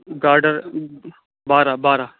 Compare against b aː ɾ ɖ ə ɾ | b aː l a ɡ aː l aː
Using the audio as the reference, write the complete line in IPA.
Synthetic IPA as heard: ɡ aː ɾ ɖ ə ɾ | b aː ɾ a b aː ɾ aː

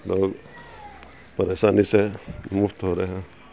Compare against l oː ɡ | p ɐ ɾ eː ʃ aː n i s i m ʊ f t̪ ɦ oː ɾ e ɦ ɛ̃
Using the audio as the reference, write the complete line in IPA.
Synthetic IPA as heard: l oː ɡ | p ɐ ɾ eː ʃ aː n i s e m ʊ f t̪ ɦ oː ɾ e ɦ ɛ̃

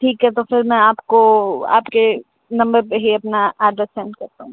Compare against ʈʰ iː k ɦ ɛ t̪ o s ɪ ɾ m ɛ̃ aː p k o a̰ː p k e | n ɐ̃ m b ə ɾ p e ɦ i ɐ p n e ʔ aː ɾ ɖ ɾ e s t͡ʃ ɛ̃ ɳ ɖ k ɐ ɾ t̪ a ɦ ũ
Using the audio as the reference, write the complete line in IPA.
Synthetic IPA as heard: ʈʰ iː k ɦ ɛ t̪ o f ɪ ɾ m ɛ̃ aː p k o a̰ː p k e | n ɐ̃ m b ə ɾ p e ɦ i ɐ p n a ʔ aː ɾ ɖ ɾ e s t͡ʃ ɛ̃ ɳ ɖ k ɐ ɾ t̪ a ɦ ũ

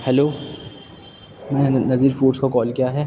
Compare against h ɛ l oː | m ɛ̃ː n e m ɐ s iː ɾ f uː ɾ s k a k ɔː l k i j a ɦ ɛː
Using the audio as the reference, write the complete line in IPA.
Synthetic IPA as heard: h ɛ l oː | m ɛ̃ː n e n ɐ z iː ɾ f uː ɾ s k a k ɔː l k i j a ɦ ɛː

